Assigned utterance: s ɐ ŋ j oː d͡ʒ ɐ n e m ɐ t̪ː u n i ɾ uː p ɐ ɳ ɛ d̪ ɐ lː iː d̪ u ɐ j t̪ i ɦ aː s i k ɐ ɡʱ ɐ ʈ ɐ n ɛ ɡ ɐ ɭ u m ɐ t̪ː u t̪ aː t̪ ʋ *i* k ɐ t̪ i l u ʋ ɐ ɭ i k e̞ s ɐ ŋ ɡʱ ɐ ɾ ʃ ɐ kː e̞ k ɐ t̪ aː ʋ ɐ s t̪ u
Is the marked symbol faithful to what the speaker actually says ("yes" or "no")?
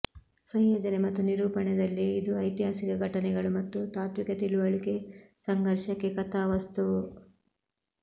yes